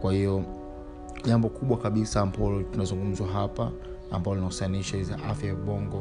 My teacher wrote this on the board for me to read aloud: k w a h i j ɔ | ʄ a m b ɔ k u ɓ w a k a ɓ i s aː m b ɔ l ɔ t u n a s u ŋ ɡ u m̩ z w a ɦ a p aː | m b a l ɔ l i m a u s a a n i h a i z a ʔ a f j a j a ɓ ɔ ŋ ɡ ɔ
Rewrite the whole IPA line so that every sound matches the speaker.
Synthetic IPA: k w a h i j ɔ | ʄ a m b ɔ k u ɓ w a k a ɓ i s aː m b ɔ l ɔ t u n a z u ŋ ɡ u m̩ z w a ɦ a p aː | m b a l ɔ l i n a u s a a n i ʃ a i z a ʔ a f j a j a ɓ ɔ ŋ ɡ ɔ